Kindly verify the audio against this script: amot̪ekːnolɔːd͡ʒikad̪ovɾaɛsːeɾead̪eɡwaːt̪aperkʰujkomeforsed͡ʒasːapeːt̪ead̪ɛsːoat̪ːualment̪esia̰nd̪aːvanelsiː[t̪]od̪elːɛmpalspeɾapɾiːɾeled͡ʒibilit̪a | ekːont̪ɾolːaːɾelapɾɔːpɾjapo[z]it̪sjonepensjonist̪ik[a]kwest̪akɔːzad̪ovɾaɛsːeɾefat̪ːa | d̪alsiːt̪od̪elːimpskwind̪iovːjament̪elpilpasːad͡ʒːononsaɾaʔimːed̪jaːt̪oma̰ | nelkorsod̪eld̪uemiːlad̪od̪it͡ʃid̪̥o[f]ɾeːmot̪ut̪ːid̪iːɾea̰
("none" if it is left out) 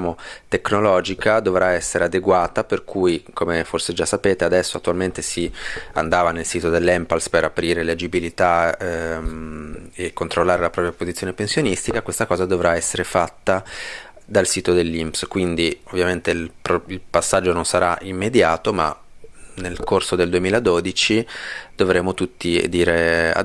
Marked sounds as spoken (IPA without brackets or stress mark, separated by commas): t̪, z, a, v